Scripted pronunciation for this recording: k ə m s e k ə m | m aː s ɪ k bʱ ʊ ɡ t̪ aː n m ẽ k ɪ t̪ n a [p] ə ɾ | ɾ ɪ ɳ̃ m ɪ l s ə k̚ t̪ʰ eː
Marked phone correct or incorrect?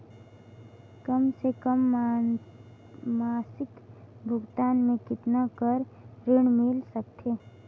incorrect